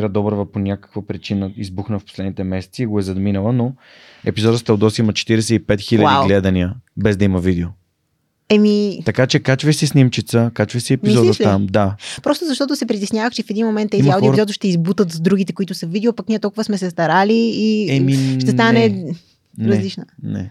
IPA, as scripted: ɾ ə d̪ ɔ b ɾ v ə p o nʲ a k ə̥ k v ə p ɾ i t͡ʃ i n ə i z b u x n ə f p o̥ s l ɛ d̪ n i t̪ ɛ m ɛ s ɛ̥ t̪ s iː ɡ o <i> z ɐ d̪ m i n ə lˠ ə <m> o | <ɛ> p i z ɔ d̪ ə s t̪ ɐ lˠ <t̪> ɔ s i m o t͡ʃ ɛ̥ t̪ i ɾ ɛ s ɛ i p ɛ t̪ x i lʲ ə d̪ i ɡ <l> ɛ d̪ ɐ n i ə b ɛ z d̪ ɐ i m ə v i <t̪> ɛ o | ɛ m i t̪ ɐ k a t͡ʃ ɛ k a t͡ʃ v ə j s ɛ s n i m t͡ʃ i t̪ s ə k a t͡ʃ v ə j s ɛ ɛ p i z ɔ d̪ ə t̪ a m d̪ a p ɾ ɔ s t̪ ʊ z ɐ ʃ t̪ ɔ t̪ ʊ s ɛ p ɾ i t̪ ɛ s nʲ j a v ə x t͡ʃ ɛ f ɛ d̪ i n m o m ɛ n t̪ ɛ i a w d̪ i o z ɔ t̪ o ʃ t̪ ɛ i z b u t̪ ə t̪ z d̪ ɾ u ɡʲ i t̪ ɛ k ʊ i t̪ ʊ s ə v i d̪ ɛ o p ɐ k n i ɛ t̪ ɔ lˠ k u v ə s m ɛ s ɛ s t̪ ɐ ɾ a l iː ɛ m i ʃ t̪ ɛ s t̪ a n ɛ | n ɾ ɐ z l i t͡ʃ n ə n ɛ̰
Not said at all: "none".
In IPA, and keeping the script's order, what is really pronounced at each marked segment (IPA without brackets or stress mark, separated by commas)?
ɛ, n, ɛ, d̪, l, d̪